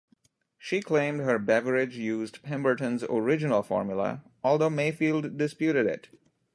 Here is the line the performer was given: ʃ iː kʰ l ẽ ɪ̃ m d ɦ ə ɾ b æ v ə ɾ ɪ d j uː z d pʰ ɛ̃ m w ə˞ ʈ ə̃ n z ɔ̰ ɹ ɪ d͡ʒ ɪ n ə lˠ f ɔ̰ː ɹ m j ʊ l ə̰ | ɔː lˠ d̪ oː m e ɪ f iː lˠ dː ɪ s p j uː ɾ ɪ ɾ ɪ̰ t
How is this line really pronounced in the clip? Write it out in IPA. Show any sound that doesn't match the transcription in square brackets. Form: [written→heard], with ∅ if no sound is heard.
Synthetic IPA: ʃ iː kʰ l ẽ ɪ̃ m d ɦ ə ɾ b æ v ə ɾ ɪ [d→d͡ʒ] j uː z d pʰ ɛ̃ m [w→b] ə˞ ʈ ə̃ n z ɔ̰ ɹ ɪ d͡ʒ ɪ n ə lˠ f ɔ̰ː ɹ m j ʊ l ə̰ | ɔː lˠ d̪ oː m e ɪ f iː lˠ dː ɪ s p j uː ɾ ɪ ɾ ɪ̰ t